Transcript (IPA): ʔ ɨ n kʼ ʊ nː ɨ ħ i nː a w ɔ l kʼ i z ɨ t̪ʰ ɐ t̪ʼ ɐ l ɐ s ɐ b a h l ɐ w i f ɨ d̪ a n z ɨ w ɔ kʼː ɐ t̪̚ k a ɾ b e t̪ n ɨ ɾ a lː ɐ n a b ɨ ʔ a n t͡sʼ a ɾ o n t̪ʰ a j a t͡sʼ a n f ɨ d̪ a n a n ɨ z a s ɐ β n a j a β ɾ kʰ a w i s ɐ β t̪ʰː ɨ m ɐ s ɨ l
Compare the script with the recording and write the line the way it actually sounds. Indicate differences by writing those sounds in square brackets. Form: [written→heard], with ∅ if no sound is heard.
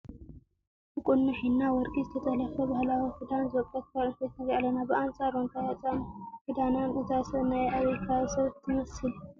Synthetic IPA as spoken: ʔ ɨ [n→∅] kʼ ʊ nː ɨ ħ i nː a w ɔ [l→ɾ] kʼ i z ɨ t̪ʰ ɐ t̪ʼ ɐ l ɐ [s→f] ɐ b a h l [ɐ→a] w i f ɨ d̪ a n z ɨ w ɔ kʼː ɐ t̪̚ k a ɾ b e t̪ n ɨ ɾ a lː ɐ n a b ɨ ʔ a n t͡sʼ a ɾ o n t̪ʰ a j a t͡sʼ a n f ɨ d̪ a n a n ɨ z a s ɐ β n a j a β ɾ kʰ a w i s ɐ β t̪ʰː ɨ m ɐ s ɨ l